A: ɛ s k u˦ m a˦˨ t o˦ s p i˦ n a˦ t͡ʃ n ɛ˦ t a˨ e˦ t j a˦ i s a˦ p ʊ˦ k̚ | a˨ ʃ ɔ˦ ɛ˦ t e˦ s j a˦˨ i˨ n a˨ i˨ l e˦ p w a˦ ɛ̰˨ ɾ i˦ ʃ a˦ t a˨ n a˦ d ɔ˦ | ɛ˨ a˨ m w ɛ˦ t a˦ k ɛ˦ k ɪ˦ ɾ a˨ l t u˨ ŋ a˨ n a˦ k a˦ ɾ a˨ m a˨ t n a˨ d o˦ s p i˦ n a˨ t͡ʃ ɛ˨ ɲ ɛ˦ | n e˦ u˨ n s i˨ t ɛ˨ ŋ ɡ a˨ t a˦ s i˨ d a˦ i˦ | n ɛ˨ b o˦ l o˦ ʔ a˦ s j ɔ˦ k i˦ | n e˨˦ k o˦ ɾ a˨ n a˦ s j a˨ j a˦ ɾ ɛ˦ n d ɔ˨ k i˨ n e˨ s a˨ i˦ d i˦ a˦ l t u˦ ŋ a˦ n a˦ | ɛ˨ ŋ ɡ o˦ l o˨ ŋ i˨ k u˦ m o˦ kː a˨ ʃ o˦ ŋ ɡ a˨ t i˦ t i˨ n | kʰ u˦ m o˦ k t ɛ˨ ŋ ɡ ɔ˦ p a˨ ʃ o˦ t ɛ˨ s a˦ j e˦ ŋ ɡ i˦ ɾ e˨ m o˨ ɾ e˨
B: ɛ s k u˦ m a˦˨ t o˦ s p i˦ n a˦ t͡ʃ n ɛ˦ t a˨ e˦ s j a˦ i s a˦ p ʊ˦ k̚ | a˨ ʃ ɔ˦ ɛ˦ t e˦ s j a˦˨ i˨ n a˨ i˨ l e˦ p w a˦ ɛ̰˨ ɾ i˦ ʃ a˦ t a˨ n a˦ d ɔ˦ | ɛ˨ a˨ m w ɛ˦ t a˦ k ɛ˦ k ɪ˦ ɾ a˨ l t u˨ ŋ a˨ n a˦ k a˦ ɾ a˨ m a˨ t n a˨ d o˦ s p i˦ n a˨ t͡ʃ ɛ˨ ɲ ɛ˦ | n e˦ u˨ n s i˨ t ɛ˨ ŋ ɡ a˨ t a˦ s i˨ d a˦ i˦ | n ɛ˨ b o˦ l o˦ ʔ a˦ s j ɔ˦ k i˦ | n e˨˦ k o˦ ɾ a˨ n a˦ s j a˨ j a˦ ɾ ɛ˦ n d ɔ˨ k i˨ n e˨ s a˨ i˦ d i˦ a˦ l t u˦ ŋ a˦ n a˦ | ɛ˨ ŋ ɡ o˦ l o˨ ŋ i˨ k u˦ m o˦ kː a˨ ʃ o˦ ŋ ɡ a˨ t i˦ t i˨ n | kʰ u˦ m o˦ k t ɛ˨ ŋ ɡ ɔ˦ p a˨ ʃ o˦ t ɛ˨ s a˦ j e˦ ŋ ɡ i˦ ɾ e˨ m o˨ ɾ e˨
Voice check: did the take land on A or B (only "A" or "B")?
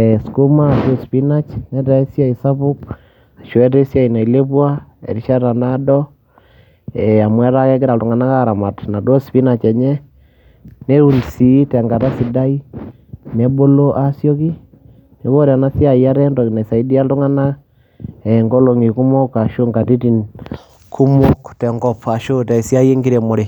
B